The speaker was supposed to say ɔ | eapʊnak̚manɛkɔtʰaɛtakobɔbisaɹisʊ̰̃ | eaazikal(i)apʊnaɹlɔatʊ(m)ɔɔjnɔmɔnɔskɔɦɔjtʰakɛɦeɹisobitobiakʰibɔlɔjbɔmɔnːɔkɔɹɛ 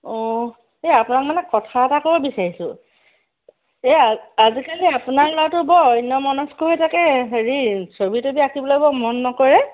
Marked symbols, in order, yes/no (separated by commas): yes, no